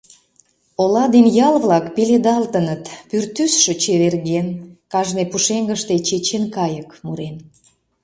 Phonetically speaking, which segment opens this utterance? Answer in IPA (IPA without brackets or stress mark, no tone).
o